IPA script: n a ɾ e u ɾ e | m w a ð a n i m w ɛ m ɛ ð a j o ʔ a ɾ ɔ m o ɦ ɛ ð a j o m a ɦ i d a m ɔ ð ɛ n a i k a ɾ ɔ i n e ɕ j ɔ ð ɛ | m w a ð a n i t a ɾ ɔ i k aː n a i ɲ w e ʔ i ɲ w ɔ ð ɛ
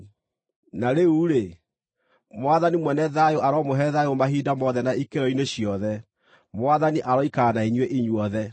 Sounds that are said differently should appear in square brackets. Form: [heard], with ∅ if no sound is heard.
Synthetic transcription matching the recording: n a ɾ e u ɾ e | m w a ð a n i m w ɛ [n] ɛ ð a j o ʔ a ɾ ɔ m o ɦ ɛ ð a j o m a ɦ i d a m ɔ ð ɛ n a i k [e] ɾ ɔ i n e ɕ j ɔ ð ɛ | m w a ð a n i [ʔ] a ɾ ɔ i k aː n a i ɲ w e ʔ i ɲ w ɔ ð ɛ